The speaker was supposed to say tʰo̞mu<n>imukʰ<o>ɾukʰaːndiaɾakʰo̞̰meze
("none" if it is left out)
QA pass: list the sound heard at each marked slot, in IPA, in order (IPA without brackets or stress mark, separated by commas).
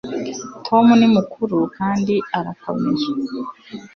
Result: n, u